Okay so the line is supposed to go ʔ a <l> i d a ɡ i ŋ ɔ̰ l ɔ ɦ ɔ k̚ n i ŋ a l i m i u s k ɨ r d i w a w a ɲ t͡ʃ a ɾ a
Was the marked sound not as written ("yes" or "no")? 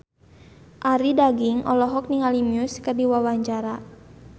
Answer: yes